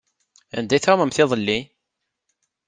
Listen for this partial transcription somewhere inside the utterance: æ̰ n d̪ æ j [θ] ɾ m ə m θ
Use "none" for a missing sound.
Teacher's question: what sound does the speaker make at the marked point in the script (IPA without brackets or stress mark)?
θ